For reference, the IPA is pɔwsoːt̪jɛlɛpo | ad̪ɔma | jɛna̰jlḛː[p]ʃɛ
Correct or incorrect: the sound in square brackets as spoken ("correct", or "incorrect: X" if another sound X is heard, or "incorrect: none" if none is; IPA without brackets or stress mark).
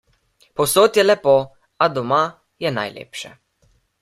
correct